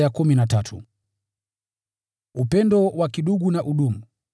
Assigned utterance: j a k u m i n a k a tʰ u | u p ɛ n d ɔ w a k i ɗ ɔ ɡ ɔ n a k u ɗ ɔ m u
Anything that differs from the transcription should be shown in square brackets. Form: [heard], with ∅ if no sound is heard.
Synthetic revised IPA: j a k u m i n a [t] a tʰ u | u p ɛ n d ɔ w a k i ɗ [u] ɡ [u] n a [ʔ] u ɗ [u] m u